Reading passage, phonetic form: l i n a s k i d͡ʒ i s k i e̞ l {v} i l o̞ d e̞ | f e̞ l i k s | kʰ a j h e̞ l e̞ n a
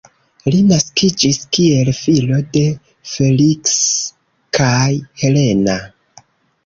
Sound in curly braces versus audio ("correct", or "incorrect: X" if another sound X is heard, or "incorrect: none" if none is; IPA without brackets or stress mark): incorrect: f